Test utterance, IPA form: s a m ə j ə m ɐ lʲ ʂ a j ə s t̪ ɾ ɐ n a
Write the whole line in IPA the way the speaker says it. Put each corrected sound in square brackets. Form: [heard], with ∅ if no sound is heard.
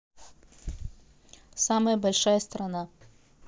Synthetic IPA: s a m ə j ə [b] ɐ lʲ ʂ a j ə s t̪ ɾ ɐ n a